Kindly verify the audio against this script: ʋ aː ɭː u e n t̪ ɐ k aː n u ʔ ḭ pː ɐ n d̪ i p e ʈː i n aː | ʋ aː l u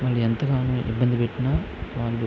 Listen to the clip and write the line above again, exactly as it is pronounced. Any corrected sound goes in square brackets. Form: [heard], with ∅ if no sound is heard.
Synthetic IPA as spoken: ʋ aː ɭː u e n t̪ ɐ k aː n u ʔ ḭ [bː] ɐ n d̪ i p e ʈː i n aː | ʋ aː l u